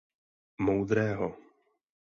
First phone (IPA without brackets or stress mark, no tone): m